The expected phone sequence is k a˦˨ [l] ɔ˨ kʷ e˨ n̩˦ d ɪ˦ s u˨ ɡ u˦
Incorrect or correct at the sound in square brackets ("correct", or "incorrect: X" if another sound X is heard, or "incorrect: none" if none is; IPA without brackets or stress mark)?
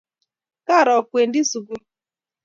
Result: incorrect: ɾ